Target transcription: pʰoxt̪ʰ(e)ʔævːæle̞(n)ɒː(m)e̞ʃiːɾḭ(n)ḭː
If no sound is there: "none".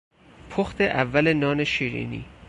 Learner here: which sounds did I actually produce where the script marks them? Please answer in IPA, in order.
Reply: e, n, n, n

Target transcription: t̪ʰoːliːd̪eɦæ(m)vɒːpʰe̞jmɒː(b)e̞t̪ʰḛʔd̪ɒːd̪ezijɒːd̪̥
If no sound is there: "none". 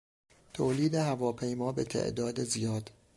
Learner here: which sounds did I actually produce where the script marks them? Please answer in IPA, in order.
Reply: none, b

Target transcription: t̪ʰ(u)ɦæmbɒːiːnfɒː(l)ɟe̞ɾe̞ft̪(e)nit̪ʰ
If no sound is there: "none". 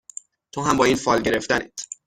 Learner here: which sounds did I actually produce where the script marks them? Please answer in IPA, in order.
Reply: o, l, æ

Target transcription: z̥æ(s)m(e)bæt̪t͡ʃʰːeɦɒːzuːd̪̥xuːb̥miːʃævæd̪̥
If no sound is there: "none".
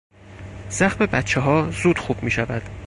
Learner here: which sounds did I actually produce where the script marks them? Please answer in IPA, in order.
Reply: x, e

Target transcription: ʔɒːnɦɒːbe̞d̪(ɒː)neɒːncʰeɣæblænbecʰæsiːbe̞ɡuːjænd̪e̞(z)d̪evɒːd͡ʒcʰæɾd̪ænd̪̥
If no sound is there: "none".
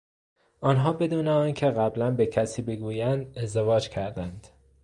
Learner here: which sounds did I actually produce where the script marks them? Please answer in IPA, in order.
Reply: uː, z

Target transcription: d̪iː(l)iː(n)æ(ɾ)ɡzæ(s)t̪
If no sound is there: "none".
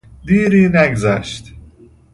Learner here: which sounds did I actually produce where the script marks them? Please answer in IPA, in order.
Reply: ɾ, n, none, ʃ

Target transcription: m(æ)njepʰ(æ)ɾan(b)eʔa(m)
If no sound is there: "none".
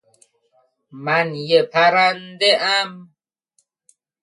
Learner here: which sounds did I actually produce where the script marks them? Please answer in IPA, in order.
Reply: a, a, d, m

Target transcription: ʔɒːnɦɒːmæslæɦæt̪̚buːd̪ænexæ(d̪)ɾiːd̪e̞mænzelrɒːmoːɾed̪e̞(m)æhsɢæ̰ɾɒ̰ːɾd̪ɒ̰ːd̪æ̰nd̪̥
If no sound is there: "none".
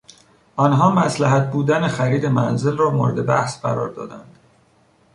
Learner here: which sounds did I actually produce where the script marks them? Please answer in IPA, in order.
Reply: none, b

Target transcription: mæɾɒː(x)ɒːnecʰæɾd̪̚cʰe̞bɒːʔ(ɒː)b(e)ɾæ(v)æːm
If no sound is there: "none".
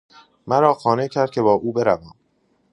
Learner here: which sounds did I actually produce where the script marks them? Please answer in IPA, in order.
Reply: x, uː, e, v

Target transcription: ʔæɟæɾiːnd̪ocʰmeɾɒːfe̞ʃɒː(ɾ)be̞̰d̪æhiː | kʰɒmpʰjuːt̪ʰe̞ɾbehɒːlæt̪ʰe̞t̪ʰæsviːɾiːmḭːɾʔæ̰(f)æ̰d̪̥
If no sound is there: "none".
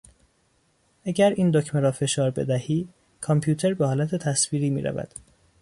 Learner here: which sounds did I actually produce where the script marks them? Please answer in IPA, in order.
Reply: ɾ, v

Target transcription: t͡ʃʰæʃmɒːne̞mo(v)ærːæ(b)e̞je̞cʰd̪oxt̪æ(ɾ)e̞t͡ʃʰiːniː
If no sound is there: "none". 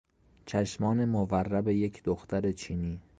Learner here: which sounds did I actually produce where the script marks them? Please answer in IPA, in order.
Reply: v, b, ɾ

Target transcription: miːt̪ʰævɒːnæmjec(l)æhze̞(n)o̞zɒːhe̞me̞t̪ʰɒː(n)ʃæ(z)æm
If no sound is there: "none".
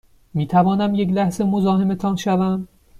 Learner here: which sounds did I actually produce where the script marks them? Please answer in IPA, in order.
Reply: l, m, n, v

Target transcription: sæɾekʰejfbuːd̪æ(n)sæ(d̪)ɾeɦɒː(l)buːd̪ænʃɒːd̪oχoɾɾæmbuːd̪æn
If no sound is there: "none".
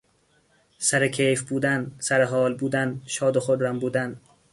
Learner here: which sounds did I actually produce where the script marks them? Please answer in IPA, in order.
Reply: n, none, l

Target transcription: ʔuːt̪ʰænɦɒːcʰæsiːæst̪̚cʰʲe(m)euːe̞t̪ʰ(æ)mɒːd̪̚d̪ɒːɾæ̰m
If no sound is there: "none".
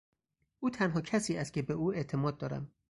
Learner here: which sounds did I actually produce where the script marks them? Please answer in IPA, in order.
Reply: b, e

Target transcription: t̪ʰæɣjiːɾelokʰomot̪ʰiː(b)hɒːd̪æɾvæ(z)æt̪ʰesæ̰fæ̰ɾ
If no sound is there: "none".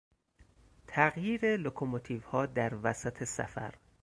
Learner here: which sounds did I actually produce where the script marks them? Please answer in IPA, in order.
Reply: v, s

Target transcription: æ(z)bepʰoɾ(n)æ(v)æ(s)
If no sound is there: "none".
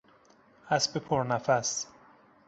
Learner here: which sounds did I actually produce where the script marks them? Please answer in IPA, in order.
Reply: s, n, f, s

